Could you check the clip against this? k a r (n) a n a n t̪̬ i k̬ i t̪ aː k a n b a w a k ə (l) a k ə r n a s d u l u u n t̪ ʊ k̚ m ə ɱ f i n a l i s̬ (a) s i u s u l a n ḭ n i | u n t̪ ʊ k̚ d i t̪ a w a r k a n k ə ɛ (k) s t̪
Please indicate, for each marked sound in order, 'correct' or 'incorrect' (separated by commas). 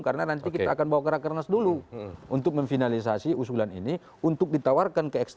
correct, incorrect, correct, correct